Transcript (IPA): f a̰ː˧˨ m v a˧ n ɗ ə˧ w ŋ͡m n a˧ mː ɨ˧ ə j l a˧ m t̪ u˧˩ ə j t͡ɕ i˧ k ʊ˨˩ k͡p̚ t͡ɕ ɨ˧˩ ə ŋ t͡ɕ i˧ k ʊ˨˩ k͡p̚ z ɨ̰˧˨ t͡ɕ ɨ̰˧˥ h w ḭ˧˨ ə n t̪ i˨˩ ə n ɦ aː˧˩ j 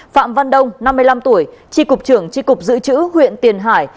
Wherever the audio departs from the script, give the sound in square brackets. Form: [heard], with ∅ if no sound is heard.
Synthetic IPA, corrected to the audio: f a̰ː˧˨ m v a˧ n ɗ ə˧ w ŋ͡m n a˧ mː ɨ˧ ə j l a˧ m t̪ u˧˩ ə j t͡ɕ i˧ k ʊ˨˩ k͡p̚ t͡ɕ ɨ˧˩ ə ŋ t͡ɕ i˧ k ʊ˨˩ k͡p̚ z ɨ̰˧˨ t͡ɕ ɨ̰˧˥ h w ḭ˧˨ ə n t̪ i˨˩ ə n ɦ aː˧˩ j

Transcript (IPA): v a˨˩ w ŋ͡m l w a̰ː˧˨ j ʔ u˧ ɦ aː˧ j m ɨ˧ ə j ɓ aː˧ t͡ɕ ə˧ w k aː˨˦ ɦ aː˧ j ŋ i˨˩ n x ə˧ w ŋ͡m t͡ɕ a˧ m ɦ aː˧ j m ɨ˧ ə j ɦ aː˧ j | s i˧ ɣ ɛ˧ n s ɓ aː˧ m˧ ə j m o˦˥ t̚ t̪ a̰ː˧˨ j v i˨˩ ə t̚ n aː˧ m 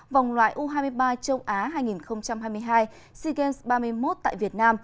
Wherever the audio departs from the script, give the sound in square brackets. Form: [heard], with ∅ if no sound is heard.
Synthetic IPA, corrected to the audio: v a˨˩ w ŋ͡m l w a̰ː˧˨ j ʔ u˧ ɦ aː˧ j m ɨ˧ ə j ɓ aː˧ t͡ɕ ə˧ w [ʔ] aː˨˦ ɦ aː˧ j ŋ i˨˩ n x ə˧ w ŋ͡m t͡ɕ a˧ m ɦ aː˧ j m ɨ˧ ə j ɦ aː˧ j | s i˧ ɣ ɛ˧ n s ɓ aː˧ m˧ ə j m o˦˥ t̚ t̪ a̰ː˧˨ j v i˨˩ ə t̚ n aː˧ m

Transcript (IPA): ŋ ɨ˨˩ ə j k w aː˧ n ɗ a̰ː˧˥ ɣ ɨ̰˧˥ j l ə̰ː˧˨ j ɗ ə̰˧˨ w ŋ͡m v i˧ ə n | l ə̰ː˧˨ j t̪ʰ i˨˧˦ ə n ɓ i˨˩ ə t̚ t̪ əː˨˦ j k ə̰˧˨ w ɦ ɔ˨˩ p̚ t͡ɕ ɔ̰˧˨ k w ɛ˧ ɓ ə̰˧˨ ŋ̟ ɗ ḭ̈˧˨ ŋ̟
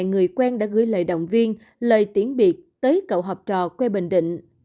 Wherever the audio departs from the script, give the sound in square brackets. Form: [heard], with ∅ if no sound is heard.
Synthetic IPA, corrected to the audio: ŋ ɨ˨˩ ə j k w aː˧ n ɗ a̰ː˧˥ ɣ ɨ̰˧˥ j l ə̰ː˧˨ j ɗ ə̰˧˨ w ŋ͡m v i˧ ə n | l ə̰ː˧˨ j [t̪] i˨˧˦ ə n ɓ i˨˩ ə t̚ t̪ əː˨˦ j k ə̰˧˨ w ɦ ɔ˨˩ p̚ t͡ɕ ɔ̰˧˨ k w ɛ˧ ɓ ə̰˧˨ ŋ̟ ɗ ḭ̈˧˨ ŋ̟

